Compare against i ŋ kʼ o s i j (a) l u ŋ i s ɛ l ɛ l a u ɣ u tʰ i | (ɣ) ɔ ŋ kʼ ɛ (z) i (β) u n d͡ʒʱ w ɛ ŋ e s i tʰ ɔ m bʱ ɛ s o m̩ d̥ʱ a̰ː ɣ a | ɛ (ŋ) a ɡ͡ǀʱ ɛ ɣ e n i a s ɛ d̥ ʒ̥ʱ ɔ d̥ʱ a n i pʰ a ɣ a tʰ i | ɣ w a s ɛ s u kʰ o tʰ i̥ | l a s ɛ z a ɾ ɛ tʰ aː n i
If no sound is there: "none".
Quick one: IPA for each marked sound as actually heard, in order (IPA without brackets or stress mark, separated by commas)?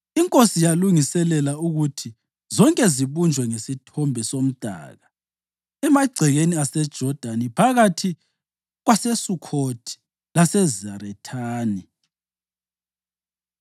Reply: a, z, z, β, m